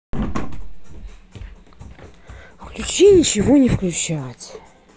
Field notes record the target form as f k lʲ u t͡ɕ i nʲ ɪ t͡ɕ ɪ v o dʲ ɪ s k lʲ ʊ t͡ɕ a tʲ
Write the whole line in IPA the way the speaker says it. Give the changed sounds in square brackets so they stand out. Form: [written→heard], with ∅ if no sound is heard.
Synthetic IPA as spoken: f k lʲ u t͡ɕ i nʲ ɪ t͡ɕ ɪ v o [dʲ→nʲ] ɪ [s→f] k lʲ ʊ t͡ɕ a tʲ